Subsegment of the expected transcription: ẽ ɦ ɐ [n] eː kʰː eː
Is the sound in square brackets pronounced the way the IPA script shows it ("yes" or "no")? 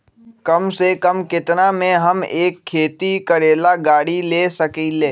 no